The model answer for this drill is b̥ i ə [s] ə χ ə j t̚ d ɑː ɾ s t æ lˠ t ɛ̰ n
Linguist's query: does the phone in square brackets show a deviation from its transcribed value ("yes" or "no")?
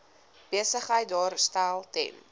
no